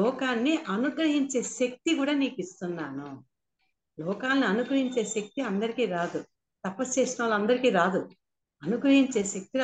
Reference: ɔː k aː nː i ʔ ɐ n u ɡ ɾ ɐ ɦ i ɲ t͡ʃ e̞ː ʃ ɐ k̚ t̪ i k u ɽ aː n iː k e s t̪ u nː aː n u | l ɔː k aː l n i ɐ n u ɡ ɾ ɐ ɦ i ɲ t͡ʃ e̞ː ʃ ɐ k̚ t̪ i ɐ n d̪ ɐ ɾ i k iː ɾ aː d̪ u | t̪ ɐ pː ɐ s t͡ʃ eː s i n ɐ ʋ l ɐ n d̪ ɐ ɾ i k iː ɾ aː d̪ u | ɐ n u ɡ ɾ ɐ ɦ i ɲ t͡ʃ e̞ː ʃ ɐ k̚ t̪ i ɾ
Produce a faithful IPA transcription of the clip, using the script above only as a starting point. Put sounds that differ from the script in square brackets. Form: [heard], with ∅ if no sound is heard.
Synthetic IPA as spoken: ɔː k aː nː i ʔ ɐ n u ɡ ɾ ɐ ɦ i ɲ t͡ʃ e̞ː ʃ ɐ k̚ t̪ i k [uː] ɽ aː n iː k [i] s t̪ u nː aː n u | l ɔː k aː l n i ɐ n u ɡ ɾ ɐ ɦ i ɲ t͡ʃ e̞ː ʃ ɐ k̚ t̪ i ɐ n d̪ ɐ ɾ i k iː ɾ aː d̪ u | t̪ ɐ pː ɐ s t͡ʃ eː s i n ɐ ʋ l ɐ n d̪ ɐ ɾ i k iː ɾ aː d̪ u | ɐ n u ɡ ɾ ɐ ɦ i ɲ t͡ʃ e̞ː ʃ ɐ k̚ t̪ i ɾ